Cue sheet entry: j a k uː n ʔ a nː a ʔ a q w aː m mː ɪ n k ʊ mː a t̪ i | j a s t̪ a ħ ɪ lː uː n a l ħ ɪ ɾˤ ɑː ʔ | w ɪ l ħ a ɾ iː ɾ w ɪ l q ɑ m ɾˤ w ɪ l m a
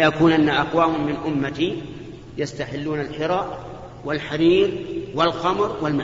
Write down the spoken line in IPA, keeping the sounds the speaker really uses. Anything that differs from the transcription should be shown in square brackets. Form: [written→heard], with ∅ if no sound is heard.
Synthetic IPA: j a k uː n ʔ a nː a ʔ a q w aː m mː ɪ n [k→ʔ] ʊ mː a t̪ i | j a s t̪ a ħ ɪ lː uː n a l ħ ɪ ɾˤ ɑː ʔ | w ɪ l ħ a ɾ iː ɾ w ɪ l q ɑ m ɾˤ w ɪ l m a